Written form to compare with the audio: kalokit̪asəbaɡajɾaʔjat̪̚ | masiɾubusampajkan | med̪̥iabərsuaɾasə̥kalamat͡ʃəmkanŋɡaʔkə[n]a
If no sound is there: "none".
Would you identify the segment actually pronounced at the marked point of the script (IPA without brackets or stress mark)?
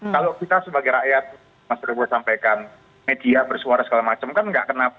n